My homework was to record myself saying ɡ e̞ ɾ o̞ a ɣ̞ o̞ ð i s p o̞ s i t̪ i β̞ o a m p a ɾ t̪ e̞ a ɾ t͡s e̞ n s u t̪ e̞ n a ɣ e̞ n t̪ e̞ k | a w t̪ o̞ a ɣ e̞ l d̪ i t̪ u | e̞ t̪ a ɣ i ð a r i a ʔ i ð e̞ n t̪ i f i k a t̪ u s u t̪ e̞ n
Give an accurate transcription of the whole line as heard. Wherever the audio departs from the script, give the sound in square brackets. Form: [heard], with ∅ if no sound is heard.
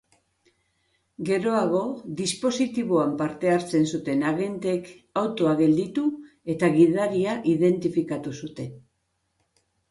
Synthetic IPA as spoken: ɡ e̞ ɾ o̞ a ɣ̞ o̞ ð i s p o̞ s i t̪ i β̞ o a m p a ɾ t̪ e̞ a ɾ t͡s e̞ n s u t̪ e̞ n a ɣ e̞ n t̪ e̞ k | a w t̪ o̞ a ɣ e̞ l d̪ i t̪ u | e̞ t̪ a ɣ i ð a [ɾ] i a ʔ i ð e̞ n t̪ i f i k a t̪ u s u t̪ e̞ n